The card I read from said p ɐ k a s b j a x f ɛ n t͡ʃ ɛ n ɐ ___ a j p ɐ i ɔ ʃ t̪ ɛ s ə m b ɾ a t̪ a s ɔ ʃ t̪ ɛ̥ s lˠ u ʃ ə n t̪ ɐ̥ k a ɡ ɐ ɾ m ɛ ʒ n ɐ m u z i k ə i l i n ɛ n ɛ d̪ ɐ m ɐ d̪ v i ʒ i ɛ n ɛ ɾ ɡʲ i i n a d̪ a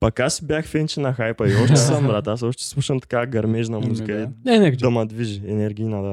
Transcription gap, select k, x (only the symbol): x